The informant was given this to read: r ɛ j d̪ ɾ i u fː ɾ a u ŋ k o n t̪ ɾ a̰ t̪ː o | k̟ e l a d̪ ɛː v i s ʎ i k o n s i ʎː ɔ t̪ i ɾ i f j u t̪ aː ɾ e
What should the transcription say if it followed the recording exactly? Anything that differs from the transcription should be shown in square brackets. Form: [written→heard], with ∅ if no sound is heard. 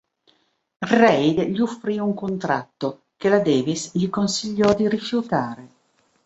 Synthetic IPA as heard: r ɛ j d̪ [ɾ→ʎ] i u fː ɾ [a→i] u ŋ k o n t̪ ɾ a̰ t̪ː o | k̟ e l a d̪ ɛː v i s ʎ i k o n s i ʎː ɔ [t̪→d̪] i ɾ i f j u t̪ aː ɾ e

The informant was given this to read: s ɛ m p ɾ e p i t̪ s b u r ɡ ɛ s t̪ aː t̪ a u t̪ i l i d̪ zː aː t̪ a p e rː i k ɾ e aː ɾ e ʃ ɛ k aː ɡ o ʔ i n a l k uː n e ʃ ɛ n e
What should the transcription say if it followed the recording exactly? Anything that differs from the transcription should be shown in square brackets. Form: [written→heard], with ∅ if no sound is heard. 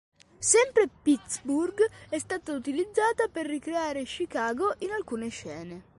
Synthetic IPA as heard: s ɛ m p ɾ e p i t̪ s b u r ɡ ɛ s t̪ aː t̪ a u t̪ i l i d̪ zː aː t̪ a p e rː i k ɾ e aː ɾ e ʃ [ɛ→i] k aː ɡ o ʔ i n a l k uː n e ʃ [ɛ→ɛː] n e

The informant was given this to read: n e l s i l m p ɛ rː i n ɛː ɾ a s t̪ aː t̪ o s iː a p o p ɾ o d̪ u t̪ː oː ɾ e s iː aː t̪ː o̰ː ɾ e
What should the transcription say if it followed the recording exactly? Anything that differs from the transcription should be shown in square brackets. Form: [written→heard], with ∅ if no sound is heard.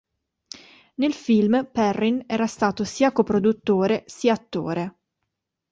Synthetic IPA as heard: n e l [s→f] i l m p ɛ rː i n ɛː ɾ a s t̪ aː t̪ o s iː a [p→k] o p ɾ o d̪ u t̪ː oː ɾ e s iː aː t̪ː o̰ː ɾ e

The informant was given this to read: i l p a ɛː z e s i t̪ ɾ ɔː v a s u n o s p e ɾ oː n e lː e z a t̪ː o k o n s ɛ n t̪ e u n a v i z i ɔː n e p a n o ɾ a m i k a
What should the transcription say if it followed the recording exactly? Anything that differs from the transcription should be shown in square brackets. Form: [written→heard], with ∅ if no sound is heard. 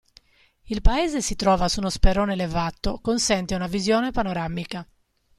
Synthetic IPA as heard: i l p a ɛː z e s i t̪ ɾ ɔː v a s u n o s p e ɾ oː n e [lː→l] e [z→v] a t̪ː o k o n s ɛ n t̪ e u n a v i z [i→j] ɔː n e p a n o ɾ a m i k a

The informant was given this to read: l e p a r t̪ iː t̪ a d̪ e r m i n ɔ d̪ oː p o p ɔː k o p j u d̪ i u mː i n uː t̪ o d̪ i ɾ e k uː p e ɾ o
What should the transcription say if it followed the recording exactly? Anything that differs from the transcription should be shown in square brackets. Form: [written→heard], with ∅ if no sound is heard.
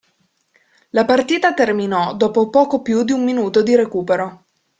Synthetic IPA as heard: l [e→a] p a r t̪ iː t̪ a [d̪→t̪] e r m i n ɔ d̪ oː p o p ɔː k o p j u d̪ i u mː i n uː t̪ o d̪ i ɾ e k uː p e ɾ o

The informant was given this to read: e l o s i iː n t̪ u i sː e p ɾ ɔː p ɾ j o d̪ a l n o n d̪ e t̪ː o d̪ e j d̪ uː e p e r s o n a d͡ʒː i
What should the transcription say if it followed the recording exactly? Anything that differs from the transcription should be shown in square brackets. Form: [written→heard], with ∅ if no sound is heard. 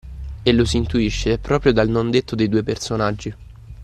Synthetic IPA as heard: e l o s i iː n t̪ u i [sː→ʃː] e p ɾ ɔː p ɾ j o d̪ a l n o n d̪ e t̪ː o d̪ e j d̪ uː e p e r s o n a d͡ʒː i

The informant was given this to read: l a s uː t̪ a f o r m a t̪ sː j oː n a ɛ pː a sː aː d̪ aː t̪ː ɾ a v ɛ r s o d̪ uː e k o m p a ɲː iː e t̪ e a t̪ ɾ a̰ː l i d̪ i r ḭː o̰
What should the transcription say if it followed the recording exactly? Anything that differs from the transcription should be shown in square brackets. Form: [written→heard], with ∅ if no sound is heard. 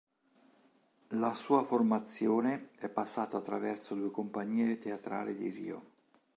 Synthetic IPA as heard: l a s uː [t̪→∅] a f o r m a t̪ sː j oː n [a→e] ɛ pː a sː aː [d̪→t̪] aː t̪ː ɾ a v ɛ r s o d̪ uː e k o m p a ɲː iː e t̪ e a t̪ ɾ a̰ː l i d̪ i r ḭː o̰

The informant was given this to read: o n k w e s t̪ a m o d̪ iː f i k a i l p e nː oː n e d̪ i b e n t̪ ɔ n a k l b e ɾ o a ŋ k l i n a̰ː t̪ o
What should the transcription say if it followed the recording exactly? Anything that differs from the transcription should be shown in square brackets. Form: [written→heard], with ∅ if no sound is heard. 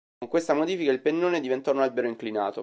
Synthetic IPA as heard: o [n→ŋ] k w e s t̪ a m o d̪ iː f i k a i l p e nː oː n e d̪ i [b→v] e n t̪ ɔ n a [k→∅] l b e ɾ o [a→i] ŋ k l i n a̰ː t̪ o

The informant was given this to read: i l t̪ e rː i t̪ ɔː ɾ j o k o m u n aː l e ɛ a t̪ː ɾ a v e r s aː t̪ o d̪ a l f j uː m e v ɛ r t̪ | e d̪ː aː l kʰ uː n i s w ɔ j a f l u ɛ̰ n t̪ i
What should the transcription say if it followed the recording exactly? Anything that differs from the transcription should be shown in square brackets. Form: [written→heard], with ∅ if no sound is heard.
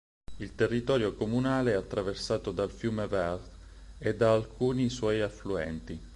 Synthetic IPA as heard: i l t̪ e rː i t̪ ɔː ɾ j o k o m u n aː l e ɛ a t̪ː ɾ a v e r s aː t̪ o d̪ a l f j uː m e v ɛ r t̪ | e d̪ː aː l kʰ uː n i s w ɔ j a f l u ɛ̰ n t̪ i

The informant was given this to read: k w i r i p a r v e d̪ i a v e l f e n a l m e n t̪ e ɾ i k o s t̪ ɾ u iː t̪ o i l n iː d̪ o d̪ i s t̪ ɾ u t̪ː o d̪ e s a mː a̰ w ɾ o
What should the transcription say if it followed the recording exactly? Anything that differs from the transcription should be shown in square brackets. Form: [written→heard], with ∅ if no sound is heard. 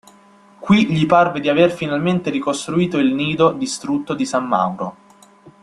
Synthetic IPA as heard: k w i [r→ʎ] i p a r v e d̪ i a v e [l→r] f [e→i] n a l m e n t̪ e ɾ i k o s t̪ ɾ u iː t̪ o i l n iː d̪ o d̪ i s t̪ ɾ u t̪ː o d̪ [e→i] s a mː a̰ w ɾ o

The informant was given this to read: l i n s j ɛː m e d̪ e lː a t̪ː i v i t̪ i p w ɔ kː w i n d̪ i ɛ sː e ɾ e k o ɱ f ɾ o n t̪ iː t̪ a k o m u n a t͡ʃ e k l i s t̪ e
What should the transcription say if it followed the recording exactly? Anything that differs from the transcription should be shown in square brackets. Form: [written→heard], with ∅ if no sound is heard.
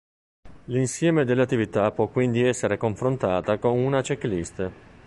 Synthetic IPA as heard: l i n s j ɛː m e d̪ e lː a t̪ː i v i t̪ [i→a] p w ɔ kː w i n d̪ i ɛ sː e ɾ e k o ɱ f ɾ o n t̪ [iː→aː] t̪ a k o [m→n] u n a t͡ʃ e k l i s t̪ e

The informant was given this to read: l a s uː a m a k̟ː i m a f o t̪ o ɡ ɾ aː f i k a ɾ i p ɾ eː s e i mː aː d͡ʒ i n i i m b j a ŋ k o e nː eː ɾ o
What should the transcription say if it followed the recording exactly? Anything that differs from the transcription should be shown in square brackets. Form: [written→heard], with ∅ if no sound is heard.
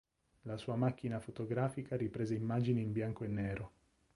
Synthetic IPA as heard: l a s uː a m a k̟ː i [m→n] a f o t̪ o ɡ ɾ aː f i k a ɾ i p ɾ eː [s→z] e i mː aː d͡ʒ i n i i m b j a ŋ k o e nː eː ɾ o

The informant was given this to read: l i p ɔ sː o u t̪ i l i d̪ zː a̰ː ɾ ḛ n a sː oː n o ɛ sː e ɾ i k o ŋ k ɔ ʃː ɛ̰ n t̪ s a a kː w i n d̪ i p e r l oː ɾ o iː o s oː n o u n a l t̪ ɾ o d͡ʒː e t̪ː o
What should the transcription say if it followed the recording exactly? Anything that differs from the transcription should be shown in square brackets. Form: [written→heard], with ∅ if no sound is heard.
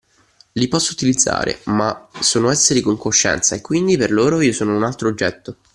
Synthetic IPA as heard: l i p ɔ sː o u t̪ i l i d̪ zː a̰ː ɾ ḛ [n→m] a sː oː n o ɛ sː e ɾ i k o ŋ k [ɔ→o] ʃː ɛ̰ n t̪ s a [a→e] kː w i n d̪ i p e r l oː ɾ o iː o s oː n o u n a l t̪ ɾ o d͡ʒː [e→ɛ] t̪ː o

